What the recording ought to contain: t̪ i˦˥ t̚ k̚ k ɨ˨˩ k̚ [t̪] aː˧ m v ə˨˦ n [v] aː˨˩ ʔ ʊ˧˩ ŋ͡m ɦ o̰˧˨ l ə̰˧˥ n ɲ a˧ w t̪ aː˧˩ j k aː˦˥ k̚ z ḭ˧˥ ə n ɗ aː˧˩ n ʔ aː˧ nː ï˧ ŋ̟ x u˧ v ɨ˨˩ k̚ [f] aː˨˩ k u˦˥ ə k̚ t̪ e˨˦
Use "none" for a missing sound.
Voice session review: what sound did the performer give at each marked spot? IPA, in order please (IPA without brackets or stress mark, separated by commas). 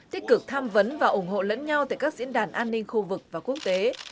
t̪ʰ, v, v